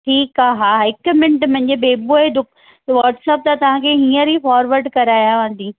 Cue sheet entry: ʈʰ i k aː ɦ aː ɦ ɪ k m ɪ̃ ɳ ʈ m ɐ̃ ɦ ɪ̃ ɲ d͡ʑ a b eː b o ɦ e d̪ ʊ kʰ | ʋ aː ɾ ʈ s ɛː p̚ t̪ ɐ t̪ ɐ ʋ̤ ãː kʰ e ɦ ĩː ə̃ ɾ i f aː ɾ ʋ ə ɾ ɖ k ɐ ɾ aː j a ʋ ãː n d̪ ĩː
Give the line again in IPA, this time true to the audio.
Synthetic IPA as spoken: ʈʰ iː k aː ɦ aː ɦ ɪ k m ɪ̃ ɳ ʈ m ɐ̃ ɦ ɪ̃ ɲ d͡ʑ e b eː b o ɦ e d̪ ʊ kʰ | ʋ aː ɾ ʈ s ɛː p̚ t̪ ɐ t̪ ɐ ʋ̤ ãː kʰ e ɦ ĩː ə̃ ɾ i f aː ɾ ʋ ə ɾ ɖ k ɐ ɾ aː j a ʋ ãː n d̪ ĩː